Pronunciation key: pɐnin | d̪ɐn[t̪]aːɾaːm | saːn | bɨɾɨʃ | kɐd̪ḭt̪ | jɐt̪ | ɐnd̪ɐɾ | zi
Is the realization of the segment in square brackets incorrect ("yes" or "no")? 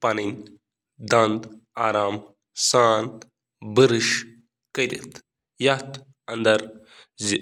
yes